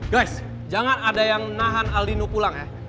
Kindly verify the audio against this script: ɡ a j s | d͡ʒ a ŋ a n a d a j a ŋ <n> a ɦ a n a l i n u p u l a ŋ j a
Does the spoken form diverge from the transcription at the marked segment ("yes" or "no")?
no